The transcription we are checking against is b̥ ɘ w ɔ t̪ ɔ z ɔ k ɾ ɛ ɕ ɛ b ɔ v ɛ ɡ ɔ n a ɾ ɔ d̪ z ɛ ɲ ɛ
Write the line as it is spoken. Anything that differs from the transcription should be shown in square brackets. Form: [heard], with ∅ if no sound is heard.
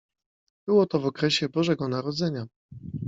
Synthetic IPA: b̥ ɘ w ɔ t̪ ɔ [v] ɔ k ɾ ɛ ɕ ɛ b ɔ [ʐ] ɛ ɡ ɔ n a ɾ ɔ d̪ z ɛ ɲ [a]